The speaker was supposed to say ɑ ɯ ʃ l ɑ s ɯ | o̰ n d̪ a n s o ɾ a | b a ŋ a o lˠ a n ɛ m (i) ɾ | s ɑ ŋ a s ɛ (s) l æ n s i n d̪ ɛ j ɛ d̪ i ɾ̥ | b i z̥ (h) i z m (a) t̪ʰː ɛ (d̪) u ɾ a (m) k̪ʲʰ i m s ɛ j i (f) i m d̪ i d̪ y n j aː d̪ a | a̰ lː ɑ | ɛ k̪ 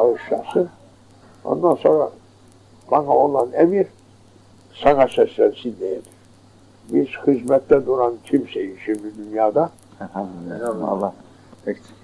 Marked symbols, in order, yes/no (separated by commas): yes, yes, yes, no, yes, no, no